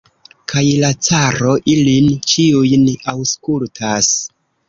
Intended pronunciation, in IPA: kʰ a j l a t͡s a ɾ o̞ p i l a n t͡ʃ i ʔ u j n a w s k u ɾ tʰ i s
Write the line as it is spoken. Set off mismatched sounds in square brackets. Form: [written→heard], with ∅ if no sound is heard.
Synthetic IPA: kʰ a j l a t͡s a ɾ o̞ [p→ʔ] i l [a→i] n t͡ʃ i [ʔ→∅] u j n a w s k u [ɾ→l] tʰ [i→a] s

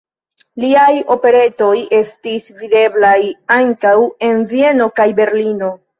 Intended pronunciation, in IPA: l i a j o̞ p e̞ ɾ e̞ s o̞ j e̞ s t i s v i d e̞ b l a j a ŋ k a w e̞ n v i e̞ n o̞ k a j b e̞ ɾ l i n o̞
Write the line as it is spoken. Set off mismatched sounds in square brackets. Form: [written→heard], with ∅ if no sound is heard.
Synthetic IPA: l i a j o̞ p e̞ ɾ e̞ [s→t] o̞ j e̞ s t i s v i d e̞ b l a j a ŋ k a w e̞ n v i e̞ n o̞ k a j b e̞ ɾ l i n o̞

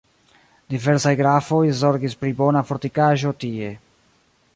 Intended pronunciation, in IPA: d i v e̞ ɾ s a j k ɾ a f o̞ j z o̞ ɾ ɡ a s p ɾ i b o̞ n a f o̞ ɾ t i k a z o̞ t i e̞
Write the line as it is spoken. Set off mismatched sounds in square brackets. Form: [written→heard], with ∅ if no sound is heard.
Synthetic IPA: d i v e̞ ɾ s a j [k→ɡ] ɾ a f o̞ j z o̞ ɾ ɡ [a→i] s p ɾ i b o̞ n a f o̞ ɾ t i k a [z→ʒ] o̞ t i e̞

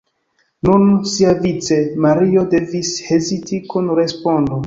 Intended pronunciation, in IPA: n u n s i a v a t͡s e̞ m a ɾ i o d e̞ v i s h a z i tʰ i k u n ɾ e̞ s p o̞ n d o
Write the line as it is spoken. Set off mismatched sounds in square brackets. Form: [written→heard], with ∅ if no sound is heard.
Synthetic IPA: n u n s i a v [a→i] t͡s e̞ m a ɾ i o d e̞ v i s h [a→e] z i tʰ i k u n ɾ e̞ s p o̞ n d o

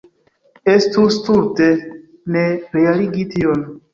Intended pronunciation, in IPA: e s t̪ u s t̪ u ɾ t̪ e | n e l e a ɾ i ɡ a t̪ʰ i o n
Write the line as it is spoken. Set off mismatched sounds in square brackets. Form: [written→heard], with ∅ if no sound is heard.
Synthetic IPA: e s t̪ u s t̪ u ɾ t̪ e | n e [l→ɾ] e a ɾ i ɡ [a→i] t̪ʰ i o n

